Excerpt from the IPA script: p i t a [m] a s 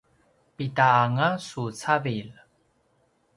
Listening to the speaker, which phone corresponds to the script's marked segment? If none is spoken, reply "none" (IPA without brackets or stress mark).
ŋ